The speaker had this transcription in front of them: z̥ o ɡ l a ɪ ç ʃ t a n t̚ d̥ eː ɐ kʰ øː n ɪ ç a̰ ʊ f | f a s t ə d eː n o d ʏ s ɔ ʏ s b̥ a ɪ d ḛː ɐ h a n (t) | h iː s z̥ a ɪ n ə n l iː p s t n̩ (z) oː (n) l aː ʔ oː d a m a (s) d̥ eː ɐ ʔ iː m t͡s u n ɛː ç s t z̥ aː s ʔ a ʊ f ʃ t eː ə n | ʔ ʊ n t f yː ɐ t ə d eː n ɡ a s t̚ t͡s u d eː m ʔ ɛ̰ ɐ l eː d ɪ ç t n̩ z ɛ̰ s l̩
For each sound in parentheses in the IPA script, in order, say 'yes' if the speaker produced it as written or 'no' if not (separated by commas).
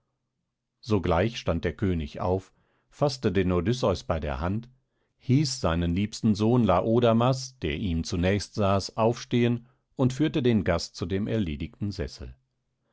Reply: yes, yes, yes, yes